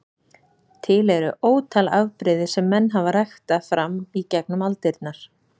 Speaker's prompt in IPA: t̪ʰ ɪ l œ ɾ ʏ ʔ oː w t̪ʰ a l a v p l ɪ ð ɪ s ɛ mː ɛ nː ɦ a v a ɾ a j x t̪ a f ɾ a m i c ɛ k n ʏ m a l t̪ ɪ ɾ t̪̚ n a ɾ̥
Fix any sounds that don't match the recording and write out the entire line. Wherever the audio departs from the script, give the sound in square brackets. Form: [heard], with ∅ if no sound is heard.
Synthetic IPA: t̪ʰ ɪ l [ɛ] ɾ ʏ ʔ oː w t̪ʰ a l a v p [ɾ] ɪ ð ɪ s ɛ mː ɛ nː ɦ a v a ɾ a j x t̪ a f ɾ a m i c ɛ k n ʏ m a l t̪ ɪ ɾ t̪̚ n a ɾ̥